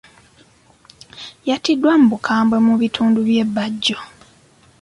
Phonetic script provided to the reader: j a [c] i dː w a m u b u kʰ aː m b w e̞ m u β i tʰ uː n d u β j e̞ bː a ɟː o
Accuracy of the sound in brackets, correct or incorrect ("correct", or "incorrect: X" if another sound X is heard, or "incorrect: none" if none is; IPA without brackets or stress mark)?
incorrect: t